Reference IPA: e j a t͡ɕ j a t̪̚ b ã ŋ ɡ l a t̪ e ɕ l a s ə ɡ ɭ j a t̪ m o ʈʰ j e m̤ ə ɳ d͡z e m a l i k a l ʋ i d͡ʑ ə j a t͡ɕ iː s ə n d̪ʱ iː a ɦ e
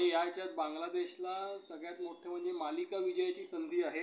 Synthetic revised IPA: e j a t͡ɕ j a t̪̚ b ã ŋ ɡ l a d̪ e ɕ l a s ə ɡ ɭ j a t̪ m o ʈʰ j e m̤ ə ɳ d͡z e m a l i k a ʋ i d͡ʑ ə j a t͡ɕ iː s ə n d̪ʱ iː a ɦ e